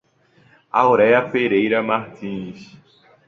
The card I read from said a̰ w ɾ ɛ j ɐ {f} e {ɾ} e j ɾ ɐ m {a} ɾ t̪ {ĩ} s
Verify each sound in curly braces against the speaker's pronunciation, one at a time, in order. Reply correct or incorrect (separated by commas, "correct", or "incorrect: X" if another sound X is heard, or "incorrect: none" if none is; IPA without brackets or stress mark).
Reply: correct, correct, correct, correct